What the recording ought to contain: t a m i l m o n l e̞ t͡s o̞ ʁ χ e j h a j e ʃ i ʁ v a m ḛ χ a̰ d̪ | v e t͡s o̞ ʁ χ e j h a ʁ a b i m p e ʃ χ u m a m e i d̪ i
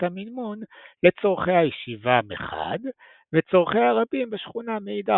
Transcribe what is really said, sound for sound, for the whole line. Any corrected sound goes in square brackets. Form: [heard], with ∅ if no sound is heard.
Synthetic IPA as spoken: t a m i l m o n l e̞ t͡s o̞ ʁ χ e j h a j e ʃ i [∅] v a m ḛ χ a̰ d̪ | v e t͡s o̞ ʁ χ e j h a ʁ a b i m [b] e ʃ χ u [n] a m e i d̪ [a]